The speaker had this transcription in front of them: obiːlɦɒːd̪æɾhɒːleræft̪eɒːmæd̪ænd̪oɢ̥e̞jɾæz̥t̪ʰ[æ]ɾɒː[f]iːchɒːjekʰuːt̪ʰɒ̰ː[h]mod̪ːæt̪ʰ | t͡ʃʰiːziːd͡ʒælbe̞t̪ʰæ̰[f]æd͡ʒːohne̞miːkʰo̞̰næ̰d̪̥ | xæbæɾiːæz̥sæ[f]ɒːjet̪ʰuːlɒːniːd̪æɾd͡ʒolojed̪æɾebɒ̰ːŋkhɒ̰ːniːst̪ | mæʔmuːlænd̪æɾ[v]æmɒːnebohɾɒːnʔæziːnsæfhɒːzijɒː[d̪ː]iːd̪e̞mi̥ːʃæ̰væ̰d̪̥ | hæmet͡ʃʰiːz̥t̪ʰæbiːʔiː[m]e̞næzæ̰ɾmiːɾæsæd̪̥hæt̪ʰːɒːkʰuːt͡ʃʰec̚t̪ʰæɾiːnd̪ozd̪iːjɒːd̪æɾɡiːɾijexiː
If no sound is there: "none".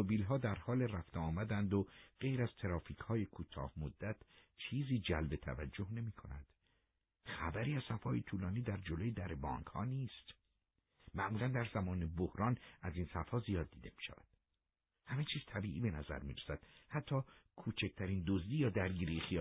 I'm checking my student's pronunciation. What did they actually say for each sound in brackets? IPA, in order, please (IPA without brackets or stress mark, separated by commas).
e, f, h, v, f, z, d̪ː, b